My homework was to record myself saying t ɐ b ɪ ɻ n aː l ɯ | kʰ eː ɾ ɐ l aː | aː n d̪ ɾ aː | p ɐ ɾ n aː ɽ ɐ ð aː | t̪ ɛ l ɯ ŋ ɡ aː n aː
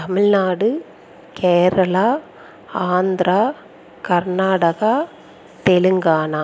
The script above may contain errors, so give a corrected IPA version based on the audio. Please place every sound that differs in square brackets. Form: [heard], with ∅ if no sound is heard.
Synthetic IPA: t ɐ [m] ɪ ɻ n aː [ɽ] ɯ | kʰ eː ɾ ɐ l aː | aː n d̪ ɾ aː | [k] ɐ ɾ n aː ɽ ɐ [ɣ] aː | t̪ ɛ l ɯ ŋ ɡ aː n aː